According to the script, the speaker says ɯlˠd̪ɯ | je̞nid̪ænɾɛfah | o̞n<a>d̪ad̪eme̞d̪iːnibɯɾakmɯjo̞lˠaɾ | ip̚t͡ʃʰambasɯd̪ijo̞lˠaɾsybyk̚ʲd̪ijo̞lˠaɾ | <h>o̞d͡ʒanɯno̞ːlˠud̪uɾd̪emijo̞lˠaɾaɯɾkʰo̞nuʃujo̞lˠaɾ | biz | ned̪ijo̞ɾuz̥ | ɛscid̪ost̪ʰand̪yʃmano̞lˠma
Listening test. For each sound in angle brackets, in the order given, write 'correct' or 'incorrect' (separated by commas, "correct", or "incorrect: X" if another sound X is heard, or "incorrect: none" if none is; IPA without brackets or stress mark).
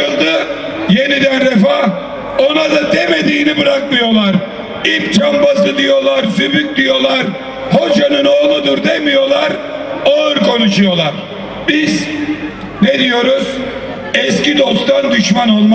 correct, correct